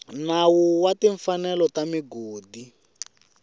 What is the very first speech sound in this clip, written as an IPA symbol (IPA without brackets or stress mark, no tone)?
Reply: n